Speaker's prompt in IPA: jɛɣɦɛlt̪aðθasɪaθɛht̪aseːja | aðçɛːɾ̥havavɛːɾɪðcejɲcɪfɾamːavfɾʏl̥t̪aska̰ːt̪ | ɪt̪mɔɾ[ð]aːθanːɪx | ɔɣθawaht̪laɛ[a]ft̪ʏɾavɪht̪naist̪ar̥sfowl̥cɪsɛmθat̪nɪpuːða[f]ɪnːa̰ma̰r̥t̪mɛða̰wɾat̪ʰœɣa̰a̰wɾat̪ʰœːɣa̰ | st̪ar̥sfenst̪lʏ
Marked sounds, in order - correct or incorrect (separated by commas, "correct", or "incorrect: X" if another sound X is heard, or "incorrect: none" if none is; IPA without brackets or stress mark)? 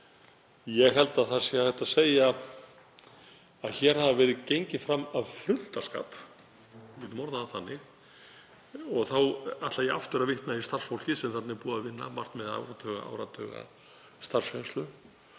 correct, correct, incorrect: v